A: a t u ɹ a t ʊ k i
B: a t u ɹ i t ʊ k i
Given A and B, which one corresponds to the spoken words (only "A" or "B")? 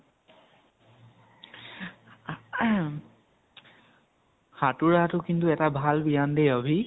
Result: A